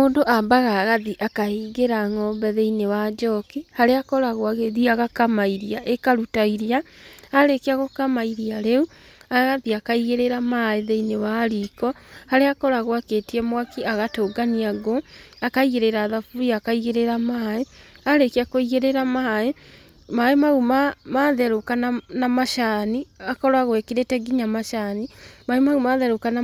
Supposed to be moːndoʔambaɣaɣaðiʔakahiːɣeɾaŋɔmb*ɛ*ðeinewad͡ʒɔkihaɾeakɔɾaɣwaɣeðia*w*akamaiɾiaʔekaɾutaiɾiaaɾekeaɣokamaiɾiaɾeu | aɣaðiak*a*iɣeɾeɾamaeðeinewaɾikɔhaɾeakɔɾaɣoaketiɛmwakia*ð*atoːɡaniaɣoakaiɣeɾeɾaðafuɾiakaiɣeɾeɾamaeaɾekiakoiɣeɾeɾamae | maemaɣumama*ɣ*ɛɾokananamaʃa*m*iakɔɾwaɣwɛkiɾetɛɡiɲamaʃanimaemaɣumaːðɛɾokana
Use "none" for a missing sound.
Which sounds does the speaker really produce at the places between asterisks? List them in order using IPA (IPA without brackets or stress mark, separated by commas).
ɛ, ɣ, a, ɣ, ð, n